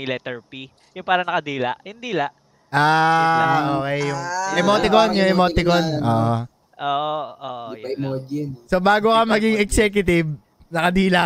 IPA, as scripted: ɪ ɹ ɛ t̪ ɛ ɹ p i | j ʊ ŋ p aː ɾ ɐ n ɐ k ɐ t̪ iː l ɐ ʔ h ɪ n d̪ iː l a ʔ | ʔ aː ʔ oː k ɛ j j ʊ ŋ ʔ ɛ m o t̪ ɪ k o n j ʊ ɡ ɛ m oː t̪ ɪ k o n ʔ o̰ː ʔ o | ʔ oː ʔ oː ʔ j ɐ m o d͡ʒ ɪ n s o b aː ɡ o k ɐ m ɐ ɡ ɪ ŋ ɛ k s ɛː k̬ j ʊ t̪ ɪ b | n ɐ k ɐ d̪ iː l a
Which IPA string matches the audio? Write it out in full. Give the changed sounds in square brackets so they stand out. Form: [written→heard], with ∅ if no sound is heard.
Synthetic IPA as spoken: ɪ [ɹ→l] ɛ t̪ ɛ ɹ p i | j ʊ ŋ p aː ɾ ɐ n ɐ k ɐ [t̪→d̪] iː l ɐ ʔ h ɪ n d̪ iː l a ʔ | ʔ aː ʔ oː k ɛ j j ʊ ŋ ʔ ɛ m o t̪ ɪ k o n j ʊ [ɡ→ŋ] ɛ m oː t̪ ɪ k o n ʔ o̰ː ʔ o | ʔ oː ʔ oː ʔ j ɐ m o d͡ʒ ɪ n s o b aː ɡ o k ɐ m ɐ ɡ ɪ ŋ ɛ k s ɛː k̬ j ʊ t̪ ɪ b | n ɐ k ɐ d̪ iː l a